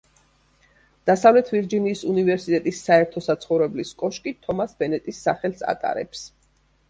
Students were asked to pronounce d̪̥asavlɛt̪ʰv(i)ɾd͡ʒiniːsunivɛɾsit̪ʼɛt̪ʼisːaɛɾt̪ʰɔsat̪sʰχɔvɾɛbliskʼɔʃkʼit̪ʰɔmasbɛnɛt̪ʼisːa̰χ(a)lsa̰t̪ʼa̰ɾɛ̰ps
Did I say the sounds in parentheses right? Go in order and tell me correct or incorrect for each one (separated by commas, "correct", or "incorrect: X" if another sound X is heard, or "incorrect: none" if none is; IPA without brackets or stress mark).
correct, incorrect: ɛ